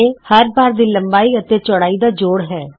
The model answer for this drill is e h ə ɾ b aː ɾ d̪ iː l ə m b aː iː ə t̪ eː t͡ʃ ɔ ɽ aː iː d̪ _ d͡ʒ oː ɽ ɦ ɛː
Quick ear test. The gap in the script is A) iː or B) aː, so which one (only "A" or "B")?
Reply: B